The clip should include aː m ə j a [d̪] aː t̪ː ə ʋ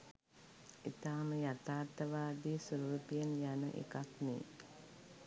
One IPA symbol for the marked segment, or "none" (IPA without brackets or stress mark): t̪